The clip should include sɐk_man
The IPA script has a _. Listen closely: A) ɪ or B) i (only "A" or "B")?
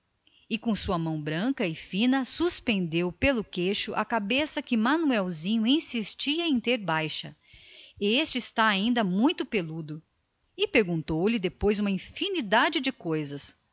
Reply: A